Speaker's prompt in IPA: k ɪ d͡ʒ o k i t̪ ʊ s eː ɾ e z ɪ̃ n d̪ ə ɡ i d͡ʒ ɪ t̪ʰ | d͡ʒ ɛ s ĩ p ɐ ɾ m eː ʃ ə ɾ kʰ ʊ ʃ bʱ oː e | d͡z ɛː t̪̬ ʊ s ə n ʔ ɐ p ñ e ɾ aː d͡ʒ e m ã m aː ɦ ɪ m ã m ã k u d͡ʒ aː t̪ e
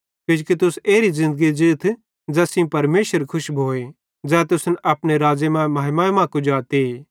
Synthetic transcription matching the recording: k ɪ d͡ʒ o k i t̪ ʊ s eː ɾ i z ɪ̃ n d̪ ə ɡ i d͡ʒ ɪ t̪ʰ | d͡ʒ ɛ s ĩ p ɐ ɾ m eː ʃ ə ɾ kʰ ʊ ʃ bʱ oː e | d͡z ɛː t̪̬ ʊ s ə n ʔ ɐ p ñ e ɾ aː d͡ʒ e m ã m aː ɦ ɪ m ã m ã k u d͡ʒ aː t̪ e

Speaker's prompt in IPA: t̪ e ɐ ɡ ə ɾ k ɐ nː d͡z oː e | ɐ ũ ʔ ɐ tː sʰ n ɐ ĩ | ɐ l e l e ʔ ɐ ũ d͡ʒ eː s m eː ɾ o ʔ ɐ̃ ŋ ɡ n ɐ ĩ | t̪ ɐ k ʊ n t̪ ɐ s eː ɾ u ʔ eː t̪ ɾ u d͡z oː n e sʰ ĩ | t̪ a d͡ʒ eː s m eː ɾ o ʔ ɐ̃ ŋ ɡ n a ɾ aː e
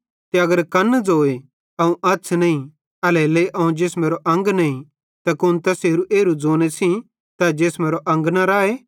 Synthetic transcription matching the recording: t̪ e ɐ ɡ ə ɾ k ɐ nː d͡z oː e | ɐ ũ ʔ ɐ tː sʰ n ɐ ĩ | ɐ l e l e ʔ ɐ ũ d͡ʒ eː s m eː ɾ o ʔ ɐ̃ ŋ ɡ n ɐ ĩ | t̪ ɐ k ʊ n t̪ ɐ s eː ɾ u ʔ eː ɾ u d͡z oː n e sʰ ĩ | t̪ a d͡ʒ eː s m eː ɾ o ʔ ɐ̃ ŋ ɡ n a ɾ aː e

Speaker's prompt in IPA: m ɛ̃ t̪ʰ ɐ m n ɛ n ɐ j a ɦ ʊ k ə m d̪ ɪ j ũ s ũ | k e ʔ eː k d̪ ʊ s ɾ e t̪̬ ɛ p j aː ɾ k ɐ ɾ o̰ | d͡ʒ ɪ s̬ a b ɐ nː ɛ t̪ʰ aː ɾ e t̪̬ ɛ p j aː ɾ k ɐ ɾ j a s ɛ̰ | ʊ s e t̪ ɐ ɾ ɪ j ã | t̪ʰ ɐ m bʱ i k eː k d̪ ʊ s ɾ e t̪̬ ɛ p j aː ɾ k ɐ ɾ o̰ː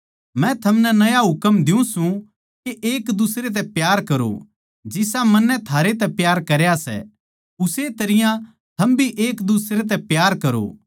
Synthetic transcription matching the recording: m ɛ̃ t̪ʰ ɐ m n ɛ n ɐ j a ɦ ʊ k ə m d̪ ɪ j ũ s ũ | k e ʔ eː k d̪ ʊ s ɾ e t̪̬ ɛ p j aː ɾ k ɐ ɾ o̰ | d͡ʒ ɪ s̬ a m ɐ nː ɛ t̪ʰ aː ɾ e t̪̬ ɛ p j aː ɾ k ɐ ɾ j a s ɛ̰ | ʊ s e t̪ ɐ ɾ ɪ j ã | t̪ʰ ɐ m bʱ i ʔ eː k d̪ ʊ s ɾ e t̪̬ ɛ p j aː ɾ k ɐ ɾ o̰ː

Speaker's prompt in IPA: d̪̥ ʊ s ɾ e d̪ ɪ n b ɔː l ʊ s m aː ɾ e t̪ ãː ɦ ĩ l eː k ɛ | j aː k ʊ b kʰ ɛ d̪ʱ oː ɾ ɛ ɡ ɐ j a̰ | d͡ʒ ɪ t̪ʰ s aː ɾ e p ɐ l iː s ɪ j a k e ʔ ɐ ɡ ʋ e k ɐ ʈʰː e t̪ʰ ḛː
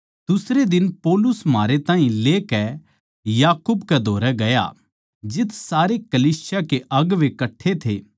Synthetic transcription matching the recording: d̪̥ ʊ s ɾ e d̪ ɪ n p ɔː l ʊ s m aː ɾ e t̪ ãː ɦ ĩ l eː k ɛ | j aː k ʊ b k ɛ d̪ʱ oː ɾ ɛ ɡ ɐ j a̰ | d͡ʒ ɪ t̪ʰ s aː ɾ e k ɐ l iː s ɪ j a k e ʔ ɐ ɡ ʋ e k ɐ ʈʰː e t̪ʰ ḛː

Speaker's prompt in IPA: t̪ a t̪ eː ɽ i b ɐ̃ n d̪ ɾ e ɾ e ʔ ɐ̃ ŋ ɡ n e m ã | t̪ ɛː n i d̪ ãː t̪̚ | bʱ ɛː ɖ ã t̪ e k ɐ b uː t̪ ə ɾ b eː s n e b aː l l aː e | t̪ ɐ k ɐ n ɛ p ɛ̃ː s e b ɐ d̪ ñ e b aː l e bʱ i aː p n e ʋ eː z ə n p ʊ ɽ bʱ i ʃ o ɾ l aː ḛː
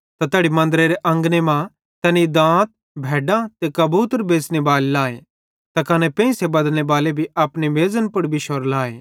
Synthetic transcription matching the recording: t̪ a t̪ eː ɽ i m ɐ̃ n d̪ ɾ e ɾ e ʔ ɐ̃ ŋ ɡ n e m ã | t̪ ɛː n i d̪ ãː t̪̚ | bʱ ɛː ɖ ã t̪ e k ɐ b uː t̪ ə ɾ b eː s n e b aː l l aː e | t̪ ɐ k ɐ n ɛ p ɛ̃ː s e b ɐ d̪ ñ e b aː l e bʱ i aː p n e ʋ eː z ə n p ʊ ɽ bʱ i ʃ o ɾ l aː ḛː

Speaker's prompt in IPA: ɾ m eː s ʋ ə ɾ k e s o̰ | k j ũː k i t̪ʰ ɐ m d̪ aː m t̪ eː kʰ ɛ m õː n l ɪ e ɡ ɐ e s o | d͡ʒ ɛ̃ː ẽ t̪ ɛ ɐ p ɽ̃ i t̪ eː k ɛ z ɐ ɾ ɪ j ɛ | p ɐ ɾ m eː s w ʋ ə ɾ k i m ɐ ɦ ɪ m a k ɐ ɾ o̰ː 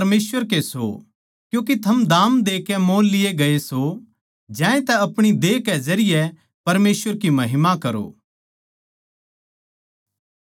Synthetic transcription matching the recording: ɾ m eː s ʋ ə ɾ k e s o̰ | k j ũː k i t̪ʰ ɐ m d̪ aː m d̪ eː k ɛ m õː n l ɪ e ɡ ɐ e s o | d͡ʒ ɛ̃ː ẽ t̪ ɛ ɐ p ɽ̃ i d̪ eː k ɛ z ɐ ɾ ɪ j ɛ | p ɐ ɾ m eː s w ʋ ə ɾ k i m ɐ ɦ ɪ m a k ɐ ɾ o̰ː

